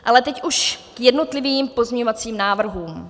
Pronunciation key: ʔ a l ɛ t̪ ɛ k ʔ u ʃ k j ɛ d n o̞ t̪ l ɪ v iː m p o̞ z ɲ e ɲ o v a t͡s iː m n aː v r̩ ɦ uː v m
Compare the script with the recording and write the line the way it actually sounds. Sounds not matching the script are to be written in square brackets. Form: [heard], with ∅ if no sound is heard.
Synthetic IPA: ʔ a l ɛ t̪ ɛ [c] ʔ u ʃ k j ɛ d n o̞ t̪ l ɪ v iː m p o̞ z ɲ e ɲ o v a t͡s iː m n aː v r̩ ɦ uː [∅] m